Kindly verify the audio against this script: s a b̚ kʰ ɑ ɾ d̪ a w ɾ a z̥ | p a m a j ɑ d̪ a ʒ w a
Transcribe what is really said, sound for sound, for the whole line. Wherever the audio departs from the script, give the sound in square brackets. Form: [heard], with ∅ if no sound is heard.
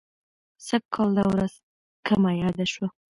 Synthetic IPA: s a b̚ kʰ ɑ [l] d̪ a w ɾ a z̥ | [k] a m a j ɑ d̪ a [ʃ] w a